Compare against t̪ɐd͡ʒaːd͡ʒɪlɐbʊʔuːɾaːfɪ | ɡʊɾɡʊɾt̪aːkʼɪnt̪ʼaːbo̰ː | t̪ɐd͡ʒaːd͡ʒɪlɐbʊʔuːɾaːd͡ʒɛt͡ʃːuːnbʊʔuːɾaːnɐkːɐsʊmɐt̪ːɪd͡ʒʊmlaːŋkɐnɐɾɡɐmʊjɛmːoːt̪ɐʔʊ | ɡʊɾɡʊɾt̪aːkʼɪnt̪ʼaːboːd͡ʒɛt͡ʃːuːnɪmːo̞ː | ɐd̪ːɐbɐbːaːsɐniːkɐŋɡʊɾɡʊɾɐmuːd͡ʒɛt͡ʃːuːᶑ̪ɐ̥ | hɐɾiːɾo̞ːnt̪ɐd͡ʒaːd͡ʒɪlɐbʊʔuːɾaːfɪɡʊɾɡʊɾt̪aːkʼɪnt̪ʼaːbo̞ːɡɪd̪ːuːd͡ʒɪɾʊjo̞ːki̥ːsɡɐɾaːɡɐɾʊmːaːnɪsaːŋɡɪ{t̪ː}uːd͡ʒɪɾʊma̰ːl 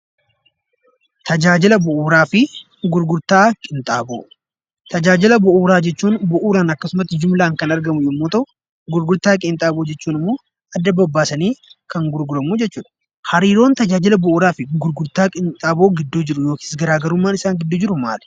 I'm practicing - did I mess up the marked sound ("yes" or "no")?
yes